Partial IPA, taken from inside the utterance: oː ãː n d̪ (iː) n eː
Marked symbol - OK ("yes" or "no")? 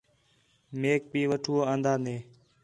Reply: no